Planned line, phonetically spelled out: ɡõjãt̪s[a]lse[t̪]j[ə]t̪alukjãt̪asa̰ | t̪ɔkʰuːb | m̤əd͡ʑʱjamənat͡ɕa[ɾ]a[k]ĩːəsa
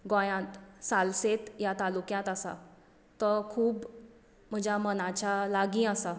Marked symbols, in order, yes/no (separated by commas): yes, yes, no, no, no